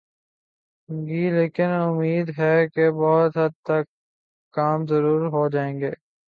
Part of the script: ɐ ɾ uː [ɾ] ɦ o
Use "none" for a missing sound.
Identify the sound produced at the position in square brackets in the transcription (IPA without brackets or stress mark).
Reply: ɾ